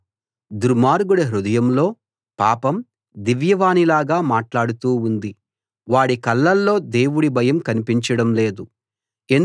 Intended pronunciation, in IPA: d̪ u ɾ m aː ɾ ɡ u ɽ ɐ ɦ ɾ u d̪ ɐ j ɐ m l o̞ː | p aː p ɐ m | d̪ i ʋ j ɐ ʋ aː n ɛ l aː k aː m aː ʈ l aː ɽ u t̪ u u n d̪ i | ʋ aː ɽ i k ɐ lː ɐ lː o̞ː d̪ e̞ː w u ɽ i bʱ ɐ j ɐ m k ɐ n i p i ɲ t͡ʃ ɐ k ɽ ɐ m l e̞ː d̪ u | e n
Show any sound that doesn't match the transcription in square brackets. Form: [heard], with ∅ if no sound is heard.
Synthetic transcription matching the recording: d̪ u ɾ m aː ɾ ɡ u ɽ ɐ ɦ ɾ u d̪ ɐ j ɐ m l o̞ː | p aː p ɐ m | d̪ i ʋ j ɐ ʋ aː n [i] l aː [ɡ] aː m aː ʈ l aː ɽ u t̪ [uː] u n d̪ i | ʋ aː ɽ i k ɐ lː ɐ lː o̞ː d̪ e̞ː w u ɽ i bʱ ɐ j ɐ m k ɐ n i p i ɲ t͡ʃ ɐ [∅] ɽ ɐ m l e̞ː d̪ u | e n